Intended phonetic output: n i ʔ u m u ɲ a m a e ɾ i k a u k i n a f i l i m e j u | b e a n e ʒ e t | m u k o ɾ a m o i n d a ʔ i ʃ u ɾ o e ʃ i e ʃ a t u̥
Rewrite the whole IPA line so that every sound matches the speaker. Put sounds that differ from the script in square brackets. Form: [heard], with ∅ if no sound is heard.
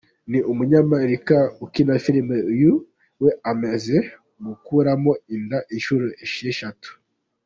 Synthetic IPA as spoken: n i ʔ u m u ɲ a m a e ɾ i k a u k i n a f i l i m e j u | [w] e a [m] e [z] e [∅] | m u k [u] ɾ a m o i n d a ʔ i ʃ u ɾ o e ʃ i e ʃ a t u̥

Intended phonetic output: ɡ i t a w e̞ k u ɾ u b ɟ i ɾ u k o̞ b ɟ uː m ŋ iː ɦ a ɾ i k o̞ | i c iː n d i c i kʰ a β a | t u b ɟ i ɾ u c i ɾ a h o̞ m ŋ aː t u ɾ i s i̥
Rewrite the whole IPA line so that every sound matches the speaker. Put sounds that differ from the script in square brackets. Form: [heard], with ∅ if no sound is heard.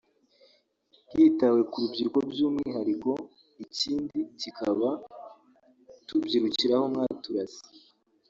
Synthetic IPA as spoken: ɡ i t a w e̞ k u ɾ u b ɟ i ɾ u k o̞ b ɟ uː m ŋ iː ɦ a ɾ i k o̞ | i c iː n d i c i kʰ a β a | t u b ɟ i ɾ u c i ɾ a h o̞ m ŋ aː t u ɾ [a] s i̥

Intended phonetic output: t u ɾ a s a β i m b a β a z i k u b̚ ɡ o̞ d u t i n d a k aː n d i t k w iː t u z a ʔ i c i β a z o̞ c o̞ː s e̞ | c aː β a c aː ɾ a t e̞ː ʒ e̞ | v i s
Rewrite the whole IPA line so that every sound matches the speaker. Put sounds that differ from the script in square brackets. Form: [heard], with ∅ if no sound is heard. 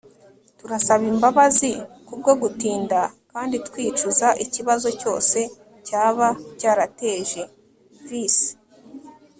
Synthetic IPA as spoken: t u ɾ a s a β i m b a β a z i k u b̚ ɡ o̞ [ɡ] u t [iː] n d a k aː n d i t k w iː [t͡ʃ] u z a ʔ i c i β a z o̞ c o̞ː s e̞ | c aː β a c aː ɾ a t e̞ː ʒ e̞ | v i s

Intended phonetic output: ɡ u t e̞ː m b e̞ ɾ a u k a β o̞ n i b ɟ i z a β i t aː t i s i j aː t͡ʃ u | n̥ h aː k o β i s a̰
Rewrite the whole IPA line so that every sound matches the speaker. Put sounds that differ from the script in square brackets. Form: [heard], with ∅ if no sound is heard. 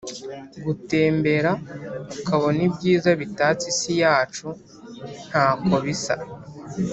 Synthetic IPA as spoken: ɡ u t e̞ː m b e̞ ɾ a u k a β o̞ n i b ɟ [iː] z a β i t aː [t͡s] i s i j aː t͡ʃ u | n̥ h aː k o β i s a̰

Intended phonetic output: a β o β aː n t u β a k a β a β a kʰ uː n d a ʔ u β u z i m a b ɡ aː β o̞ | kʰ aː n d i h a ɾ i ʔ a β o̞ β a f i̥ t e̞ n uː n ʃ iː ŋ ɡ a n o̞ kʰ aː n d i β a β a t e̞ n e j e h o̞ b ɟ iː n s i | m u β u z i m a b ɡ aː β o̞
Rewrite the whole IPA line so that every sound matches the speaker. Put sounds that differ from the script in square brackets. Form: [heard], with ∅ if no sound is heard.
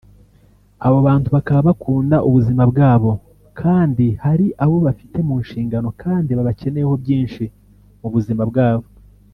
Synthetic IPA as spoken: a β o β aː n t u β a k a β a β a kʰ uː n d a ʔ u β u z i m a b ɡ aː β o̞ | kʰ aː n d i h a ɾ i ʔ a β o̞ β a f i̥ t e̞ [m] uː n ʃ iː ŋ ɡ a n o̞ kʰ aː n d i β a β a [c] e̞ n e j e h o̞ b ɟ iː n [ʃ] i | m u β u z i m a b ɡ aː β o̞

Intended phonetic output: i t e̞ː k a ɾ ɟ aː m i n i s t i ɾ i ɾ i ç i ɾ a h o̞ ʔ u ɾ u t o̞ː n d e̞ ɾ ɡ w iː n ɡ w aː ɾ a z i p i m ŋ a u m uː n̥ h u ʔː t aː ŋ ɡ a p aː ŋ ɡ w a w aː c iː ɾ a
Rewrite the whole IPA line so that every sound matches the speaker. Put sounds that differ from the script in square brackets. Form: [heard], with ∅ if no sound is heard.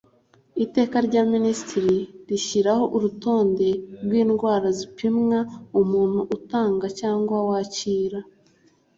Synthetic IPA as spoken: i t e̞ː k a ɾ ɟ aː m i n i s t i ɾ i ɾ i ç i ɾ a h o̞ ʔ u ɾ u t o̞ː n d e̞ ɾ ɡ w iː n ɡ w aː ɾ a z i p i m ŋ a u m uː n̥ h u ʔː t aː ŋ ɡ a [c] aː ŋ ɡ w a w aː c iː ɾ a

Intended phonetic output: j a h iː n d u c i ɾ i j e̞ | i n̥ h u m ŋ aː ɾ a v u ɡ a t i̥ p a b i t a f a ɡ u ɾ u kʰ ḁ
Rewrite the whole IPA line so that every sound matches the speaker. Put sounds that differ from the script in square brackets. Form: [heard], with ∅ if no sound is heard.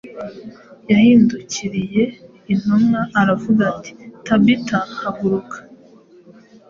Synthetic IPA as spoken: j a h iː n d u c i ɾ i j e̞ | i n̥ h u m ŋ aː ɾ a v u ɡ a t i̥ [t] a b i t a [h] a ɡ u ɾ u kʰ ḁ

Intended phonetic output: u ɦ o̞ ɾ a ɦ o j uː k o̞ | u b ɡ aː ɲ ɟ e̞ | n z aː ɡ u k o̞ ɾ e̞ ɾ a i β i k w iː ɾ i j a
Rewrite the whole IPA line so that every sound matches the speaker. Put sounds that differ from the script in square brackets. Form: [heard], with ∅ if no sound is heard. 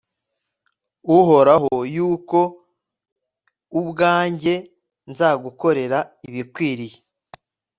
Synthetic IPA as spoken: u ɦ o̞ ɾ a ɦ o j uː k o̞ | u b ɡ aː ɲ ɟ e̞ | n z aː ɡ u k o̞ ɾ e̞ ɾ a i β i k w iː ɾ i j [e]

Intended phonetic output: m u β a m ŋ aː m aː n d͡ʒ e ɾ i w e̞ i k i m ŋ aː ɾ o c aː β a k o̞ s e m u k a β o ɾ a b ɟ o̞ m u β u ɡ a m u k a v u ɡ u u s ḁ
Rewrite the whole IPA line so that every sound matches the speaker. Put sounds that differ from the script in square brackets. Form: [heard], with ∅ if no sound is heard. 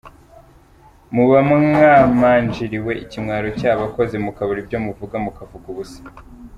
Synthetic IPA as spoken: m u β a m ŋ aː m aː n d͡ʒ [i] ɾ i w e̞ i [c] i m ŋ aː ɾ o c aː β a k o̞ [z] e m u k a β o ɾ [i] b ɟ o̞ m u [v] u ɡ a m u k a v u ɡ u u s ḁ

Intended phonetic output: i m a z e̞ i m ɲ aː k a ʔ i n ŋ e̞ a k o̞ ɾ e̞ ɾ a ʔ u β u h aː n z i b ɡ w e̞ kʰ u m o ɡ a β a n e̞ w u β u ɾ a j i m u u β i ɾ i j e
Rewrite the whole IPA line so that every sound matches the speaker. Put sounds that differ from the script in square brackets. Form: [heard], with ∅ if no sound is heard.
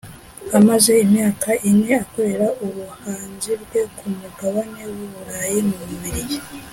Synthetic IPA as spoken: [a] m a z e̞ i m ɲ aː k a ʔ i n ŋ e̞ a k o̞ ɾ e̞ ɾ a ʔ u β u h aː n z i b ɡ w e̞ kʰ u m [u] ɡ a β a n e̞ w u β u ɾ a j i m u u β i ɾ i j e

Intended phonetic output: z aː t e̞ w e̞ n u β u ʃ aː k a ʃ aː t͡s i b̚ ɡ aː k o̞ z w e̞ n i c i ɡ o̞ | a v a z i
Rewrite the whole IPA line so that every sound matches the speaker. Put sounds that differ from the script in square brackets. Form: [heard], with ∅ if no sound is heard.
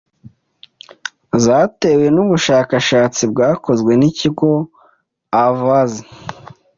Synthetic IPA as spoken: z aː t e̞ w e̞ n u β u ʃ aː k a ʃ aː t͡s i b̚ ɡ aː k o̞ z w e̞ n i c i ɡ o̞ | a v a z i

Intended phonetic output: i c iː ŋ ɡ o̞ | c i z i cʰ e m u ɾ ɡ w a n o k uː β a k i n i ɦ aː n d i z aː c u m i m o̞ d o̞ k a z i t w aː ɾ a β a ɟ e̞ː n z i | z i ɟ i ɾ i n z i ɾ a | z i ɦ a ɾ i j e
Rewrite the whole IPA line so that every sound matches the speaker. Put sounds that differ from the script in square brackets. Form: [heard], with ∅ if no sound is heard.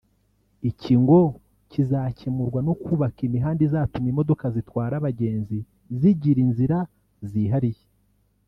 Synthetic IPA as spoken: i c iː ŋ ɡ o̞ | c i z [a] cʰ e m u ɾ ɡ w a n o k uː β a k i [m] i ɦ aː n d i z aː [t] u m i m o̞ d o̞ k a z i t w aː ɾ a β a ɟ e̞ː n z i | z i ɟ i ɾ i n z i ɾ a | z i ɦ a ɾ i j e

